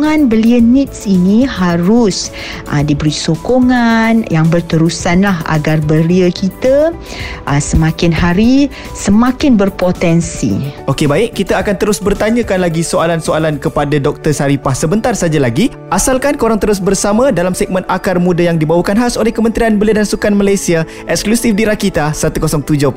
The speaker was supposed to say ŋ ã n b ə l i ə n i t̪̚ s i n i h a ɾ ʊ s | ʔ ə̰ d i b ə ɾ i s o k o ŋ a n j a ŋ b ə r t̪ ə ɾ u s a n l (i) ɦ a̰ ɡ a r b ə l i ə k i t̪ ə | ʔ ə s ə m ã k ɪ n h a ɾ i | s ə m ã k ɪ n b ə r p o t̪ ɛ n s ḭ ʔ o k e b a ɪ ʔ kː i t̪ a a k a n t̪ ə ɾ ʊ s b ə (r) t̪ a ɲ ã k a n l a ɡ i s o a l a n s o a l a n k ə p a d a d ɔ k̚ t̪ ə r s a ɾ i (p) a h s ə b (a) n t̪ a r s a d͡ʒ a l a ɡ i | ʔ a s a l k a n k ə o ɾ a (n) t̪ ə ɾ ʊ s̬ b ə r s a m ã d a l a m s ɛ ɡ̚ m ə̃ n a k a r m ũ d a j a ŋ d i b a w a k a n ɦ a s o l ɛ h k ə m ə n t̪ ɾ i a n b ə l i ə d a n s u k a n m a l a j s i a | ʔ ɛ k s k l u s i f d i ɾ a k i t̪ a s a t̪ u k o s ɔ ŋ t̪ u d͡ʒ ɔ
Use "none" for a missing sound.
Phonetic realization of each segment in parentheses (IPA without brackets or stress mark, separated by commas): a, r, p, ə, ŋ